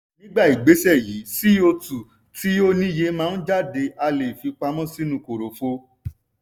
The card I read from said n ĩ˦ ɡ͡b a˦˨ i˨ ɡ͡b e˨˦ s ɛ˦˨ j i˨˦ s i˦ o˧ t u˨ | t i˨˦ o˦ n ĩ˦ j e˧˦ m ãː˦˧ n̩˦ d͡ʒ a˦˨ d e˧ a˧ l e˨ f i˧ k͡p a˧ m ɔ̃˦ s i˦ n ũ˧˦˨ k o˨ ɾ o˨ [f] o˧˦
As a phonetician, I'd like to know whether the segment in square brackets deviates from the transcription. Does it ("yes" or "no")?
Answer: no